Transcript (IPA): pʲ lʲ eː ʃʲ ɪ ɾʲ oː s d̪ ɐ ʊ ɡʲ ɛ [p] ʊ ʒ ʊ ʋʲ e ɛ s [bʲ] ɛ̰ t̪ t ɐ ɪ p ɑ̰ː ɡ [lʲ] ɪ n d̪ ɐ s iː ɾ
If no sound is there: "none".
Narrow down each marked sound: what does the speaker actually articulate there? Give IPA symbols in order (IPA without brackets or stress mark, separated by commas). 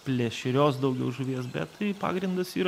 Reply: none, bʲ, ɾʲ